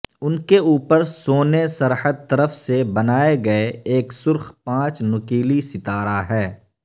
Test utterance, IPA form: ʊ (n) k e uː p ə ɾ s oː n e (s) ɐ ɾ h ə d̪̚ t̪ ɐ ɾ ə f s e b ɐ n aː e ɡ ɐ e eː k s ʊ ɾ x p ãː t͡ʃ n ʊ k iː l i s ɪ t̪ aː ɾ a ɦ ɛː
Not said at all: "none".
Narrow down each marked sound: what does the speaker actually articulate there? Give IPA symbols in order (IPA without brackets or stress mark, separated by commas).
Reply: n, s